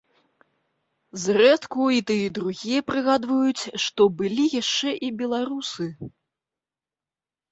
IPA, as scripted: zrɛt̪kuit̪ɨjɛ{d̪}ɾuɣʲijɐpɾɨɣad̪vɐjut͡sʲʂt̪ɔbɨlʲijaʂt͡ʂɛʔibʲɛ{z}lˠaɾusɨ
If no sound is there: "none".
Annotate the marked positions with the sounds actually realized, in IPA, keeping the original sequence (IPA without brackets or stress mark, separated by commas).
d̪, none